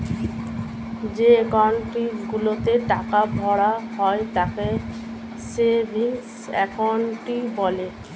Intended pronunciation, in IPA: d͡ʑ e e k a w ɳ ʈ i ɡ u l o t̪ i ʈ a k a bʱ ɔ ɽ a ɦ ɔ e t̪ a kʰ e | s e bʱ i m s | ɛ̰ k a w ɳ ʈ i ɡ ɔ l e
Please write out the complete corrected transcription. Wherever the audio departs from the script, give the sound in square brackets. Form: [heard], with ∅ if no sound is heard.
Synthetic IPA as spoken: d͡ʑ e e k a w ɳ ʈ i ɡ u l o t̪ [e] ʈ a k a bʱ ɔ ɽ a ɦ ɔ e t̪ a [k] e | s e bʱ i [ŋ] s | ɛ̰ k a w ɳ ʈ i [b] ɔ l e